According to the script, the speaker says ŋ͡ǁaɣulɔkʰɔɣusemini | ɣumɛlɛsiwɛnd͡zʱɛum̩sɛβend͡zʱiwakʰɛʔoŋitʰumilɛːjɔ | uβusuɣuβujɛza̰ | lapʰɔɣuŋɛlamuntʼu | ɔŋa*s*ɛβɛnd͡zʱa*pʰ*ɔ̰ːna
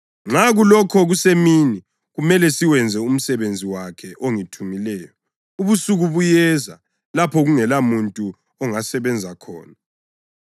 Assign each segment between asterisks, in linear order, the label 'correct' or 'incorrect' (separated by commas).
correct, incorrect